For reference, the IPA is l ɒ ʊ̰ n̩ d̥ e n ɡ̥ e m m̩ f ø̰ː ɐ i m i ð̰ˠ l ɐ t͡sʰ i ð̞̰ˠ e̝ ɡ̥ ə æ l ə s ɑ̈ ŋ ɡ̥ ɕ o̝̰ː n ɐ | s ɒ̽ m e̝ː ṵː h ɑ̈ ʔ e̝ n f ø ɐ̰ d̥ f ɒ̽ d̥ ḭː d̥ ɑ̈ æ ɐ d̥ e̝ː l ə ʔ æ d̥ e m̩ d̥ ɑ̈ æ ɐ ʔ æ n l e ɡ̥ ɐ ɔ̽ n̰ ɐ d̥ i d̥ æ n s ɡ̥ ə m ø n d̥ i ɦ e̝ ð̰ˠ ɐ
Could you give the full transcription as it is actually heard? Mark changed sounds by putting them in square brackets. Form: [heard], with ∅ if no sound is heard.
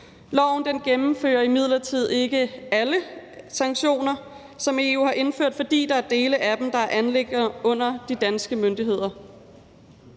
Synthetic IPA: l ɒ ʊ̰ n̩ d̥ e n ɡ̥ e m m̩ f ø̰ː ɐ i m i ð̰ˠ l ɐ t͡sʰ i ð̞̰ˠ e̝ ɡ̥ ə æ l ə s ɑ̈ ŋ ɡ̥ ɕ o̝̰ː n ɐ | s ɒ̽ m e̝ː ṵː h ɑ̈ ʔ e̝ n f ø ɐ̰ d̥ f ɒ̽ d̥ ḭː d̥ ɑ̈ æ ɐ d̥ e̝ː l ə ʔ æ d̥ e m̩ d̥ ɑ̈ æ ɐ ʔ æ n l e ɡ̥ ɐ ɔ̽ n̰ ɐ d̥ i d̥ æ n s ɡ̥ ə m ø n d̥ i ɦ e̝ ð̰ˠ ɐ